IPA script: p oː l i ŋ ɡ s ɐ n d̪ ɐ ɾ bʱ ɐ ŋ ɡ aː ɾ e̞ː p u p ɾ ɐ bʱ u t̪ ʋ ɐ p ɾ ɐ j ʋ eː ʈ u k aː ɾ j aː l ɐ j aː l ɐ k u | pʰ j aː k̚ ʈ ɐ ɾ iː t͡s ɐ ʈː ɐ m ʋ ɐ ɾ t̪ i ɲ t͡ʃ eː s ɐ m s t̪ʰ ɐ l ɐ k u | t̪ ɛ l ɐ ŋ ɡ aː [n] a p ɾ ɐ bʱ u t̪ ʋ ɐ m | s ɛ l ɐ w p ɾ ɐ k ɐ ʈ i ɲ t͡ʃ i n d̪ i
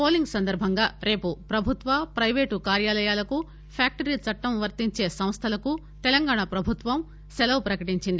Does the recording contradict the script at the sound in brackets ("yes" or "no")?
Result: yes